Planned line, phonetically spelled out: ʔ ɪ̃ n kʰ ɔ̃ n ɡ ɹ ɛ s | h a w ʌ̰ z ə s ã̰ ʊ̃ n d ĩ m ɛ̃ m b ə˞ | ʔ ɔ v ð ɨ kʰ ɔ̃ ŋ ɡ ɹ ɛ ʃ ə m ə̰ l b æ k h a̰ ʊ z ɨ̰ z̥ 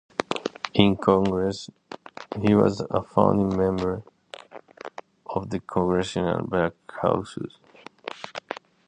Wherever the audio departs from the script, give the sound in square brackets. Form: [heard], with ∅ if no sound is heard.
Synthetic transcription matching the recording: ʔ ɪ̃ n kʰ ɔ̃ [ŋ] ɡ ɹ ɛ s | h [i] w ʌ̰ z ə [f] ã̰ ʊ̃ n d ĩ m ɛ̃ m b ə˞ | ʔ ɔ v ð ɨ kʰ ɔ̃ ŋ ɡ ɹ ɛ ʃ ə [n] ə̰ l b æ k h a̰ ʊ [s] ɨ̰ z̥